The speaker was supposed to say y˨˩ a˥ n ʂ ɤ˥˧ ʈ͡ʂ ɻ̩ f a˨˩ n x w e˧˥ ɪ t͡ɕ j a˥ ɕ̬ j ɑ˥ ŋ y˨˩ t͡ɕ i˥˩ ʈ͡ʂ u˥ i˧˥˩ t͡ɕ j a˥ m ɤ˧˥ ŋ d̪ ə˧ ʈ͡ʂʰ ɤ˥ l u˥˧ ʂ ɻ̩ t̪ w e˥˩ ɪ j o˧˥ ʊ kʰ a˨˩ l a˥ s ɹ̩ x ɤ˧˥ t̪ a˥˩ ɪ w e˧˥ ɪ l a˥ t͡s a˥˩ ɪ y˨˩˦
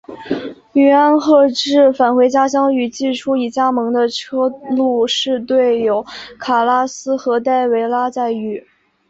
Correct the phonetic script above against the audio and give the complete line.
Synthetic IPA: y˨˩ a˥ n x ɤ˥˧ ʈ͡ʂ ɻ̩ f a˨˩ n x w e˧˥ ɪ t͡ɕ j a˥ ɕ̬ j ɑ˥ ŋ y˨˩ t͡ɕ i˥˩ ʈ͡ʂʰ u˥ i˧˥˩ t͡ɕ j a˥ m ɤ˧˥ ŋ d̪ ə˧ ʈ͡ʂʰ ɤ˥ l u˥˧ ʂ ɻ̩ t̪ w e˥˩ ɪ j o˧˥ ʊ kʰ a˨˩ l a˥ s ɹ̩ x ɤ˧˥ t̪ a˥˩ ɪ w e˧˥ ɪ l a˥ t͡s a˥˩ ɪ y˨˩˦